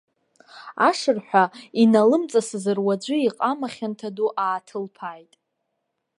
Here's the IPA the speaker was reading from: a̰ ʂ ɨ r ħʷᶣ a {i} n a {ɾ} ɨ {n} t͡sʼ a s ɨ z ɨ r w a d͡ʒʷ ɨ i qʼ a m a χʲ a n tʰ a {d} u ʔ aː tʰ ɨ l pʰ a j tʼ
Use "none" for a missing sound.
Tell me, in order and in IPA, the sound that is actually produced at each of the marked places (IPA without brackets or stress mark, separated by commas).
i, l, m, d